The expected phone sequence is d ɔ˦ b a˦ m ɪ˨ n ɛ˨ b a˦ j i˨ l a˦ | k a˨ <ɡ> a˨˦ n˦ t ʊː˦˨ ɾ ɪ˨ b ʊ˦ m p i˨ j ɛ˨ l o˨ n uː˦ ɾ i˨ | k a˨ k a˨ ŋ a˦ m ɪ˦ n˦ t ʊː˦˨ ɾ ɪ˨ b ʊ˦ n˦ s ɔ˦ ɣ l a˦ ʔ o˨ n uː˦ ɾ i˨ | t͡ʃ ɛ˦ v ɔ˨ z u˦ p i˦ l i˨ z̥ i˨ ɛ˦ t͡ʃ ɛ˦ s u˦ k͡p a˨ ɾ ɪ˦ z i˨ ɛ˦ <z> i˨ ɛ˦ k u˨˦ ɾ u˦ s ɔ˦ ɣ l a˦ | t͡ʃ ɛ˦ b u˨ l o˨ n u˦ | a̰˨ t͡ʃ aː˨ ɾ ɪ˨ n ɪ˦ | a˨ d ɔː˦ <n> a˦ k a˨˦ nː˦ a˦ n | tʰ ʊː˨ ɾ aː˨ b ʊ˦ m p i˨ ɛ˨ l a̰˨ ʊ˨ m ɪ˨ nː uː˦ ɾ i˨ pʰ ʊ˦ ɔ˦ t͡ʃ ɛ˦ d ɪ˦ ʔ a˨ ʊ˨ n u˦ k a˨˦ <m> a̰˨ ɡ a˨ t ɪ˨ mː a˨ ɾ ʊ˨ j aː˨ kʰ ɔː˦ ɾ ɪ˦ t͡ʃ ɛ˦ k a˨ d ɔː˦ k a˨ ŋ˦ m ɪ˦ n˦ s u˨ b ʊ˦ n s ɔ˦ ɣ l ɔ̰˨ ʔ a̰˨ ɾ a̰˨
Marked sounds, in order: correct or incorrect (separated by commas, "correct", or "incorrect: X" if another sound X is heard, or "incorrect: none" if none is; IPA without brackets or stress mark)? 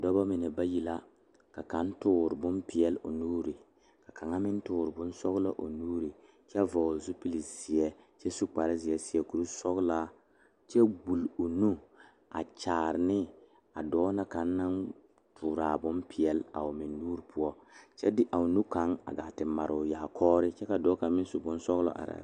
incorrect: k, incorrect: s, correct, incorrect: ŋ